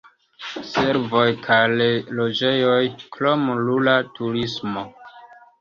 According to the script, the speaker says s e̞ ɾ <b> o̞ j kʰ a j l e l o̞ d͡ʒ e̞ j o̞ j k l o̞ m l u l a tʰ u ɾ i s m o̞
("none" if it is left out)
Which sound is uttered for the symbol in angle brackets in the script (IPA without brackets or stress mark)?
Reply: v